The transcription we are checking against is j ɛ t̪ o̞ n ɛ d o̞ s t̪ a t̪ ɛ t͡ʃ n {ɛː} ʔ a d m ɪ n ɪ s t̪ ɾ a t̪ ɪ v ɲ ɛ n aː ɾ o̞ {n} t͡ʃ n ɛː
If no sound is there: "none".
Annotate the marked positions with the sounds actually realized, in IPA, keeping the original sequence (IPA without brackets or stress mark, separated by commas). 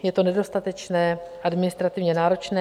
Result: ɛː, none